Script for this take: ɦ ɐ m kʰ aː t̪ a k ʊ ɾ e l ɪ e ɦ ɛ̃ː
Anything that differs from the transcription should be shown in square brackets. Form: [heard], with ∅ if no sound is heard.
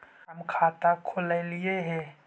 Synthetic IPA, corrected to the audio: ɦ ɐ m kʰ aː t̪ a [kʰ] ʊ [l] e l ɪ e ɦ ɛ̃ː